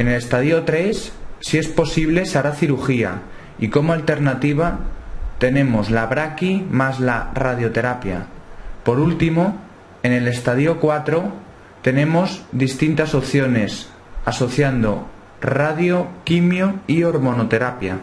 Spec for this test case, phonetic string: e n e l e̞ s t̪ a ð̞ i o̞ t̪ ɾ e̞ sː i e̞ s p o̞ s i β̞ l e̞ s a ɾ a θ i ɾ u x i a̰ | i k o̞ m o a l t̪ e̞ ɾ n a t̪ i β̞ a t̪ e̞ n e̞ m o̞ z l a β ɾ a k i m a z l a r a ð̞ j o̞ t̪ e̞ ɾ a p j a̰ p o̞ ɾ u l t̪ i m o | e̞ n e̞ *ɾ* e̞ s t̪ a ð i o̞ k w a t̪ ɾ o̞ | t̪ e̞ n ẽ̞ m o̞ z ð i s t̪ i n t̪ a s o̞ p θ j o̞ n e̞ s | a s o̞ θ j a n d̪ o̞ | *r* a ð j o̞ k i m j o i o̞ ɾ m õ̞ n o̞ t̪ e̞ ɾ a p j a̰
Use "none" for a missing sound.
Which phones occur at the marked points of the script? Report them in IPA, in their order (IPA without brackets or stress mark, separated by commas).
l, r